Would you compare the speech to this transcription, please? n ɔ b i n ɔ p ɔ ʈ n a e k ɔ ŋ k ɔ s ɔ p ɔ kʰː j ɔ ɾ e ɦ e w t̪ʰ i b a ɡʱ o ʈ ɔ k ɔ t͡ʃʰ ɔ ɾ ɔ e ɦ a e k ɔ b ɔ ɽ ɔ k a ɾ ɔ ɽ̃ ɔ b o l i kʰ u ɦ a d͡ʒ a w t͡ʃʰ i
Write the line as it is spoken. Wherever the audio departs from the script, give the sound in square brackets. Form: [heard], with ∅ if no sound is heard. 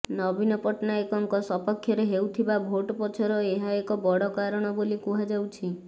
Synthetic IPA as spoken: n ɔ b i n ɔ p ɔ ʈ n a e k ɔ ŋ k ɔ s ɔ p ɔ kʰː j ɔ ɾ e ɦ e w t̪ʰ i b a [bʱ] o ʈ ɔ [p] ɔ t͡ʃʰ ɔ ɾ ɔ e ɦ a e k ɔ b ɔ ɽ ɔ k a ɾ ɔ ɽ̃ ɔ b o l i [k] u ɦ a d͡ʒ a w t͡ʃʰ i